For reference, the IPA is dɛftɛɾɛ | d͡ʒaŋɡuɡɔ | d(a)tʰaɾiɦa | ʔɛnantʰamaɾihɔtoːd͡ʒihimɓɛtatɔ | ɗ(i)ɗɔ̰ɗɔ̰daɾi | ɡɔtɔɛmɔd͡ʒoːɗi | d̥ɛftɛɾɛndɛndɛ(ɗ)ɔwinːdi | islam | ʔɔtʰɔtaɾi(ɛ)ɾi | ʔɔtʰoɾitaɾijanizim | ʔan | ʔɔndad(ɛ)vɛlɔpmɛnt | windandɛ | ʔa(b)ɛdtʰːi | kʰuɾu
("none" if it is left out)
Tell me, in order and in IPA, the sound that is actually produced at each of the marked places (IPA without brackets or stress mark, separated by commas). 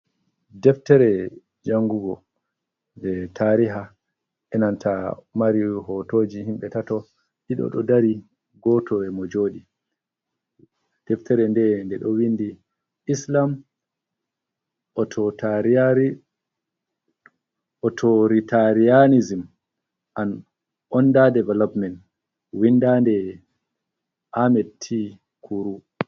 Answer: ɛ, i, ɗ, a, ɛ, m